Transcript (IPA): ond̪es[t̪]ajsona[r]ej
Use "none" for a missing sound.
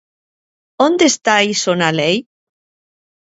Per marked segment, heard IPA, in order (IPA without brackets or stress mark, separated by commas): t̪, l